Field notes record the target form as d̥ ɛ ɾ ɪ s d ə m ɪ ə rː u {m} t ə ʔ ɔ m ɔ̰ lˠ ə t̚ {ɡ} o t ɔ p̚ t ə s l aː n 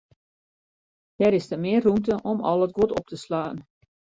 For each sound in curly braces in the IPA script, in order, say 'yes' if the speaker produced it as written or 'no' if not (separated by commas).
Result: yes, yes